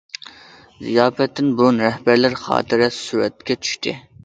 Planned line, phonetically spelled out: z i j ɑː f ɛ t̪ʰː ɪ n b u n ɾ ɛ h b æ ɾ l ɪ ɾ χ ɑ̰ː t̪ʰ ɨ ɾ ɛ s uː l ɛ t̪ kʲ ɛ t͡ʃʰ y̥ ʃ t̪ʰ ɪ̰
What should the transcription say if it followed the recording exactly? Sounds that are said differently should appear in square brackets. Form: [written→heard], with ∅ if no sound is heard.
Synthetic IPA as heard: z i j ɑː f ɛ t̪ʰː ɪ n b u n ɾ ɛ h b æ ɾ l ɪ ɾ χ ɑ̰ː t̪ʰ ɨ ɾ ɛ s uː [l→ɾ] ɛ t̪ kʲ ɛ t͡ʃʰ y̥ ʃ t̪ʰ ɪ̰